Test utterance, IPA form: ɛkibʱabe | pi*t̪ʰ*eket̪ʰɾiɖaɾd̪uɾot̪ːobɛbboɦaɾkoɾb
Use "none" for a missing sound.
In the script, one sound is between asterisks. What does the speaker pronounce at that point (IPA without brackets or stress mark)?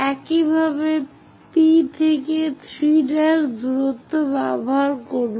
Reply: t̪ʰ